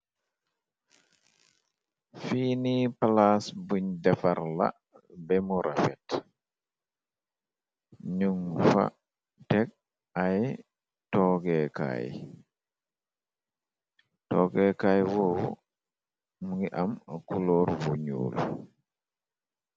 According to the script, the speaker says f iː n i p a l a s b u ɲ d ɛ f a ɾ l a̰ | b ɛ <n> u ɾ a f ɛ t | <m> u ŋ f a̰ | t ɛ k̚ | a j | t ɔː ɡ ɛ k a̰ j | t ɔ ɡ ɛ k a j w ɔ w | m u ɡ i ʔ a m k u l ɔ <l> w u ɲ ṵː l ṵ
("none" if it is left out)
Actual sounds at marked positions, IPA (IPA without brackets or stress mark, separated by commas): m, ɲ, ɾ